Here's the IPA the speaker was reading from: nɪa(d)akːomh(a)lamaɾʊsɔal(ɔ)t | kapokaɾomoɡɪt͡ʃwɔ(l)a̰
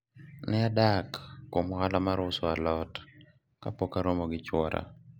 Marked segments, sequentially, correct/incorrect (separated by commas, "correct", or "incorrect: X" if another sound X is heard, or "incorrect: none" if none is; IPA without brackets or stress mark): correct, correct, correct, incorrect: ɾ